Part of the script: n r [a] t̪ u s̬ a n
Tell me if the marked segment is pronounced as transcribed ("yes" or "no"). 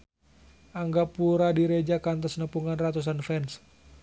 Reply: yes